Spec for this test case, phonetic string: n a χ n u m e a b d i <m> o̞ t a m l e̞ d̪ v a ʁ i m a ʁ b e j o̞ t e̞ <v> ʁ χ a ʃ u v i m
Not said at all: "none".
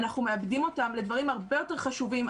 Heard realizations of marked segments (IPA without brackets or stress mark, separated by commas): m, none